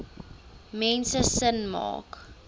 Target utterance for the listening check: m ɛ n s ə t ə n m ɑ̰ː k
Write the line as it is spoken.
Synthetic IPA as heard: m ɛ n s ə s ə n m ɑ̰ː k